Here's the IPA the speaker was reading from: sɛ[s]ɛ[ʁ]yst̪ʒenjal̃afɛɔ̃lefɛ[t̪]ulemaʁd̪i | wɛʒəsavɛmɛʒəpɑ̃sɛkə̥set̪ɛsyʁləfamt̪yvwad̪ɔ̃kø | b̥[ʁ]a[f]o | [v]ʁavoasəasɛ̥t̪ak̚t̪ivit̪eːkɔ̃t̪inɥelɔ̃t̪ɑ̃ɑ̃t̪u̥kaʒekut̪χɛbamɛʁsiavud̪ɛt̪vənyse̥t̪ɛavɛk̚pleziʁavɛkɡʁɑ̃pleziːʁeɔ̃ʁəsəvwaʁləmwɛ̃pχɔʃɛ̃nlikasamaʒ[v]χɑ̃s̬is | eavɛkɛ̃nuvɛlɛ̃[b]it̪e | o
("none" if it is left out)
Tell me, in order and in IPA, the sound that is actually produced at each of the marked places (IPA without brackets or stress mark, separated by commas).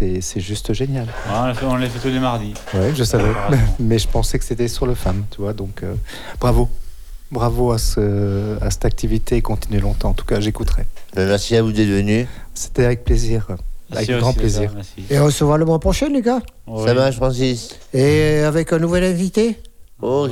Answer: s, ʒ, t̪, ʁ, v, b, f, v